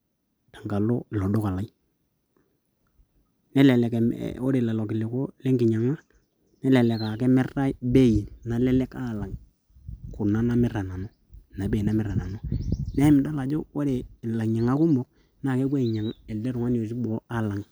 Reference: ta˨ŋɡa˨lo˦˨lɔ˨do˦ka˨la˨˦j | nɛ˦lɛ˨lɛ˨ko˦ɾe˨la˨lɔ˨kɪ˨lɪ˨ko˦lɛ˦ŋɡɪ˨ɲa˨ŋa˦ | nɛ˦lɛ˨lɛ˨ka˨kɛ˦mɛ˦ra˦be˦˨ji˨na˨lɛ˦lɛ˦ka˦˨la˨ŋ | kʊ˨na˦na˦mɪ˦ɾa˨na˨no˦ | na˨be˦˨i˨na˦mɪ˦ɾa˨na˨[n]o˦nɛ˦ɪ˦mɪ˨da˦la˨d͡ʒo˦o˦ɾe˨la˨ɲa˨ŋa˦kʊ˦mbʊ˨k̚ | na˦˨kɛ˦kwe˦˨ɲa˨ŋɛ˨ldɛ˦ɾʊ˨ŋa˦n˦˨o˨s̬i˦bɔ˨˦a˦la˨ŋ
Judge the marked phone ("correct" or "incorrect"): correct